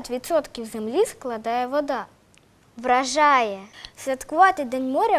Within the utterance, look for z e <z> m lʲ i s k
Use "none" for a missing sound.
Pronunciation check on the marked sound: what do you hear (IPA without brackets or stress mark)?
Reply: none